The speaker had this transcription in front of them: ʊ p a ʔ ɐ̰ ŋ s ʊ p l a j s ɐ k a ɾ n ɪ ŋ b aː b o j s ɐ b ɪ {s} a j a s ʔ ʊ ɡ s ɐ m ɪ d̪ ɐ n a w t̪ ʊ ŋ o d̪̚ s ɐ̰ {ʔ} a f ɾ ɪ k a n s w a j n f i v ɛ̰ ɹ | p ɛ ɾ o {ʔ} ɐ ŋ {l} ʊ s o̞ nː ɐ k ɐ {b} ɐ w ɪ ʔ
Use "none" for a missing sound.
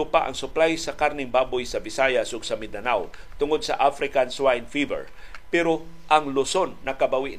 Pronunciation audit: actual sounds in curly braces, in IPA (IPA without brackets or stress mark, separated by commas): s, ʔ, ʔ, l, b